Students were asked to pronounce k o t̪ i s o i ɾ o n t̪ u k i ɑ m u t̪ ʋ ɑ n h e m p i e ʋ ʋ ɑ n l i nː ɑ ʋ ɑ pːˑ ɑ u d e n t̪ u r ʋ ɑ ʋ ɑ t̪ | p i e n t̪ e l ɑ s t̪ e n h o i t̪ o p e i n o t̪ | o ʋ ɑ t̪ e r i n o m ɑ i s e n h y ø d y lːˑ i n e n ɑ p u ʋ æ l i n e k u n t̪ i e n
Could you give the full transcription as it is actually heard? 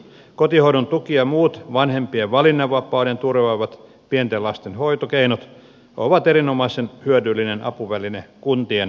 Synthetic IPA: k o t̪ i h o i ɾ o n t̪ u k i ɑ m uː t̪ ʋ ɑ n h e m p i e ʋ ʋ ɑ l i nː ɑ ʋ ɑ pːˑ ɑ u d e n t̪ u r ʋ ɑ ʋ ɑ t̪ | p i e n t̪ e l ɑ s t̪ e n h o i t̪ o k e i n o t̪ | o ʋ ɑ t̪ e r i n o m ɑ i s e n h y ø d y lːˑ i n e n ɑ p u ʋ æ l i n e k u n t̪ i e n